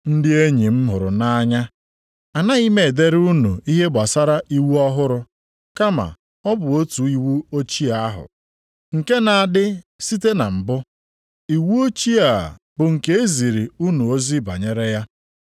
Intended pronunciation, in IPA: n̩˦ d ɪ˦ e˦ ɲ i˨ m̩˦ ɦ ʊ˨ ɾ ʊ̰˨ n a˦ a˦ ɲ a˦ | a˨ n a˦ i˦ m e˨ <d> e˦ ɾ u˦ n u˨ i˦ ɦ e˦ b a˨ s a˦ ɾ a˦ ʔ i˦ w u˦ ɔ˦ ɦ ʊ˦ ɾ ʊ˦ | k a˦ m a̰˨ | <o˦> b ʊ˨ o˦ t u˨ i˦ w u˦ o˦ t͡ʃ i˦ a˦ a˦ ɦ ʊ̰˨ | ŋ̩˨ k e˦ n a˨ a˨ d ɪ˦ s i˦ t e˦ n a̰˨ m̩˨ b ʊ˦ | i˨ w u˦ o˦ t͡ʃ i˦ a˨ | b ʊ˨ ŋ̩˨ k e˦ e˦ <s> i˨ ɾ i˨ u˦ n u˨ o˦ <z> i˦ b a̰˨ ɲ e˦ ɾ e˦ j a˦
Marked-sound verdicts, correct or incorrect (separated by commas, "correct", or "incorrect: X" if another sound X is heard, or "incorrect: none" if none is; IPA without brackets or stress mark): correct, incorrect: ɔ˦, incorrect: z, correct